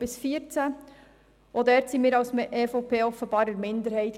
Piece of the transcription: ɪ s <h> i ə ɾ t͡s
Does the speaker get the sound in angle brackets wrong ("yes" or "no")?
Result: yes